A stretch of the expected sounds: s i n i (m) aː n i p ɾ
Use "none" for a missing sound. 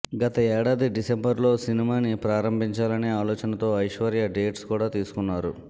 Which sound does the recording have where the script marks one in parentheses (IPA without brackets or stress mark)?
m